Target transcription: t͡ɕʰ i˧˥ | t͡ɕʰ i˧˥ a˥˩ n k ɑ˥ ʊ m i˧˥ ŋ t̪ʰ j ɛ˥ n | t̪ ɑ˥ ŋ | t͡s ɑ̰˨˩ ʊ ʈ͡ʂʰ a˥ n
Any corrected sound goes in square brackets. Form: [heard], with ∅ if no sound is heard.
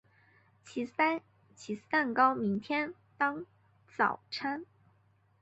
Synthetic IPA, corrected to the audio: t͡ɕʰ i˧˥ | t͡ɕʰ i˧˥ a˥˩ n k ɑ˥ ʊ m i˧˥ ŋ t̪ʰ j ɛ˥ n | t̪ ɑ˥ ŋ | t͡s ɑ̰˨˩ ʊ ʈ͡ʂʰ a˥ n